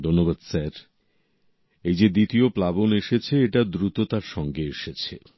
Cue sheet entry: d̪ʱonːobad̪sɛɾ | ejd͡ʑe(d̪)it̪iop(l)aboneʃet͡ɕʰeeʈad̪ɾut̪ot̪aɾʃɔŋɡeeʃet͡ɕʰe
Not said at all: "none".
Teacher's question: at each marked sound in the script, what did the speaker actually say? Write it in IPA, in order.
d̪, l

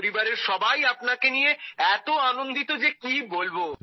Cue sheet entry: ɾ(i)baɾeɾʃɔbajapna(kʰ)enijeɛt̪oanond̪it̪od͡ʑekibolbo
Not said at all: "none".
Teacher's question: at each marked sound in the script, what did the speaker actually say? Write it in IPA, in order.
i, k

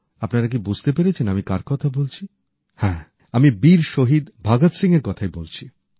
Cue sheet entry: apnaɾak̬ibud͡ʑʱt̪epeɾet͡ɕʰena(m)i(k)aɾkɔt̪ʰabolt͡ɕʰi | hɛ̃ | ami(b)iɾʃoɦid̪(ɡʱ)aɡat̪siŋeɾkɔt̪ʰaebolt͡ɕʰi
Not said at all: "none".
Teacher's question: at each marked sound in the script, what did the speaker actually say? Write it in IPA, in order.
m, k, b, bʱ

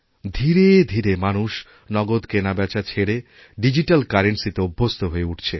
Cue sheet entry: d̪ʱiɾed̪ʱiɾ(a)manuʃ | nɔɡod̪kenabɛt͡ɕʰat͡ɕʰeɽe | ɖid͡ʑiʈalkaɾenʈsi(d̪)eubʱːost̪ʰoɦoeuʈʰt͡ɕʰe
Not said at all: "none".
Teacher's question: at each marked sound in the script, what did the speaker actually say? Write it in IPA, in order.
e, t̪

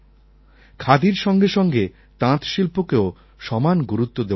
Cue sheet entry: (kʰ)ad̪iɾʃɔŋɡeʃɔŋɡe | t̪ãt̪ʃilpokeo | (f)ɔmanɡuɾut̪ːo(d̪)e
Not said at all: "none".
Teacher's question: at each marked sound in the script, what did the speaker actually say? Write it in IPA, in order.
kʰ, ʃ, d̪

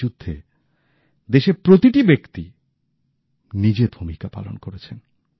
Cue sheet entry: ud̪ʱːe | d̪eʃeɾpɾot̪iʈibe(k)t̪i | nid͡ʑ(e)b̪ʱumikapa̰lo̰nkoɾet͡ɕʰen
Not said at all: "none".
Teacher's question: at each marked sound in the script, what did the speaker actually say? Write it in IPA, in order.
k, e

